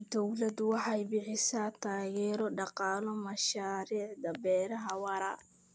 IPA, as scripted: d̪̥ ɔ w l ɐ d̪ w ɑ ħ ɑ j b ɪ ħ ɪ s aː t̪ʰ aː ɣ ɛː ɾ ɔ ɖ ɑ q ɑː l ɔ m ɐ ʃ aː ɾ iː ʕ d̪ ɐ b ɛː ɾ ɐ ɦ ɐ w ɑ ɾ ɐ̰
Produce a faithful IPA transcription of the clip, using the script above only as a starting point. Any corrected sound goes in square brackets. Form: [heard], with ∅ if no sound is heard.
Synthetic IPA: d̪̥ ɔ w l ɐ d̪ w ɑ ħ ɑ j b ɪ ħ ɪ s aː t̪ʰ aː ɣ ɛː ɾ ɔ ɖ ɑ q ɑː l ɔ m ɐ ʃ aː ɾ iː ʕ d̪ ɐ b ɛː ɾ ɐ ɦ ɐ w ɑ ɾ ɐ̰

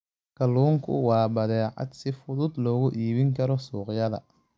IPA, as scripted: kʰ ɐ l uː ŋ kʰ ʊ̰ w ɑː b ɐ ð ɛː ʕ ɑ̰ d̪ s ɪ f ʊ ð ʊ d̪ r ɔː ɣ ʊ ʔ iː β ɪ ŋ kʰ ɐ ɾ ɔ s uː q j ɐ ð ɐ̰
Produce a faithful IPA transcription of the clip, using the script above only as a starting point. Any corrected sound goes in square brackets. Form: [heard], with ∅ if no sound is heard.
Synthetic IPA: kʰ ɐ l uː ŋ kʰ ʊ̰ w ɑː b ɐ ð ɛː ʕ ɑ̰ d̪ s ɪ f ʊ ð ʊ d̪ [l] ɔː ɣ ʊ ʔ iː β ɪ ŋ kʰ ɐ ɾ ɔ s uː q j ɐ ð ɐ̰

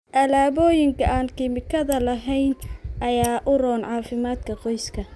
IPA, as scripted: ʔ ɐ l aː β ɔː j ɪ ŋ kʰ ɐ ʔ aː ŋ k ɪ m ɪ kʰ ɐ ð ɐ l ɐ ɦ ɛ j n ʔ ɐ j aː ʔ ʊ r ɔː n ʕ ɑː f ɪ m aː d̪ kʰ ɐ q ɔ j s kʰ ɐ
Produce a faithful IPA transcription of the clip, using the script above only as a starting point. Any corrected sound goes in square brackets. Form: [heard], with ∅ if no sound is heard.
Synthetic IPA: ʔ ɐ l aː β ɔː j ɪ ŋ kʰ ɐ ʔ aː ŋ k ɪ m ɪ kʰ ɐ ð ɐ l ɐ ɦ ɛ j n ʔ ɐ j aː ʔ ʊ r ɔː n ʕ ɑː f ɪ m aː d̪ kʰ ɐ q ɔ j s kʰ ɐ

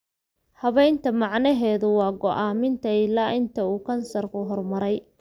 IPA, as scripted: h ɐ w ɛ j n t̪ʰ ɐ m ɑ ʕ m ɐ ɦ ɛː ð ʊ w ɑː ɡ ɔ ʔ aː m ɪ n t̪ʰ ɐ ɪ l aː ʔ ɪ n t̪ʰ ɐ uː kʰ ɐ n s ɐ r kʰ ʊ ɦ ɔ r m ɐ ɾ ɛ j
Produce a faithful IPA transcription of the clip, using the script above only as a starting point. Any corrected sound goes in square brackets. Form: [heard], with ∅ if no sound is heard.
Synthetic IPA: h ɐ [β] ɛ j n t̪ʰ ɐ m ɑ ʕ [n] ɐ ɦ ɛː ð ʊ w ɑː ɡ ɔ ʔ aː m ɪ n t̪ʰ ɐ ɪ l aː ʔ ɪ n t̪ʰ ɐ uː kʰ ɐ n s ɐ r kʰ ʊ ɦ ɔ r m ɐ ɾ ɛ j

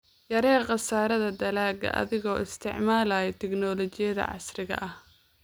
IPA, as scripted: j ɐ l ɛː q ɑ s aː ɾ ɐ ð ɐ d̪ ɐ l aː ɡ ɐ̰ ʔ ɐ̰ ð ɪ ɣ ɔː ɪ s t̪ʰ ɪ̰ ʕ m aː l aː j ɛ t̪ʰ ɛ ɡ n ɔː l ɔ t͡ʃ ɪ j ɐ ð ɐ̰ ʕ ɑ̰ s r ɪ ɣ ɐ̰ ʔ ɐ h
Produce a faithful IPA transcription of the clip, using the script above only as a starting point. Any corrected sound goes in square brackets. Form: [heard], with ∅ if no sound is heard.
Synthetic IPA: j ɐ [ɾ] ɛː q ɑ s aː ɾ ɐ ð ɐ d̪ ɐ l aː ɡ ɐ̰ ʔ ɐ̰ ð ɪ ɣ ɔː ɪ s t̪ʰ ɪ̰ ʕ m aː l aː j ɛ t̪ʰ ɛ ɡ n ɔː l ɔ t͡ʃ ɪ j ɐ ð ɐ̰ ʕ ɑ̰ s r ɪ ɣ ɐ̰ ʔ ɐ h

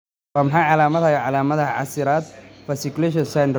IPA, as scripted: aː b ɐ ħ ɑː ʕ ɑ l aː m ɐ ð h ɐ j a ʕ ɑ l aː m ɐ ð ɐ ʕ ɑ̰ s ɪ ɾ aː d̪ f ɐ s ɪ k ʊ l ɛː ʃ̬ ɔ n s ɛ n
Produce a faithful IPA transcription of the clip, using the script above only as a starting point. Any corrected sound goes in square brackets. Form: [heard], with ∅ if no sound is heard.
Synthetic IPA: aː [m] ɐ ħ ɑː ʕ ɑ l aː m ɐ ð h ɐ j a ʕ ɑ l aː m ɐ ð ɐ ʕ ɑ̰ s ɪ ɾ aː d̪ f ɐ s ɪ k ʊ l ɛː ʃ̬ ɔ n s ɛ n

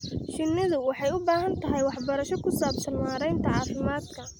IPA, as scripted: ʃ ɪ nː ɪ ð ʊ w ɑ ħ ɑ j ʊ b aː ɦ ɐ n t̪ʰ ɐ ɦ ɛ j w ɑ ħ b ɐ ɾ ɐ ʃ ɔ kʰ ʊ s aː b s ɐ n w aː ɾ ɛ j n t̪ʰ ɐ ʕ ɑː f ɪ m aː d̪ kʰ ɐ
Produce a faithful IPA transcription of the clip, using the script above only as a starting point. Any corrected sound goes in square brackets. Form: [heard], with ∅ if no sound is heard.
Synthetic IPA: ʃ ɪ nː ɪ ð ʊ w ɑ ħ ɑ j ʊ b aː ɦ ɐ n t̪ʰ ɐ ɦ ɛ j w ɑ ħ b ɐ ɾ ɐ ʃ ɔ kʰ ʊ s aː b s ɐ n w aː ɾ ɛ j n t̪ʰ ɐ ʕ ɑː f ɪ m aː d̪ kʰ ɐ

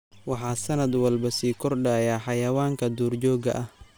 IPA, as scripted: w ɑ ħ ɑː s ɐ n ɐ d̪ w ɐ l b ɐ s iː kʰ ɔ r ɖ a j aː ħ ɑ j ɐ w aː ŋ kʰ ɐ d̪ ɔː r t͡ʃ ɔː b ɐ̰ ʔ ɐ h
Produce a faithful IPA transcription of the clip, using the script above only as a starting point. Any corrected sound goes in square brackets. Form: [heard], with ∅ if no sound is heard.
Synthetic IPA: w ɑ ħ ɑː s ɐ n ɐ d̪ w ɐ l b ɐ s iː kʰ ɔ r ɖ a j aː ħ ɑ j ɐ w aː ŋ kʰ ɐ d̪ [uː] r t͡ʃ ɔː [ɡ] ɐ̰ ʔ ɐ h

